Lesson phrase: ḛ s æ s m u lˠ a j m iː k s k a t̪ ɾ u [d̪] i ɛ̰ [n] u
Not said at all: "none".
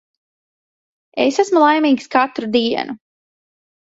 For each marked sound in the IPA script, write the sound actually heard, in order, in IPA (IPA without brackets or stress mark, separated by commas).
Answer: d̪, n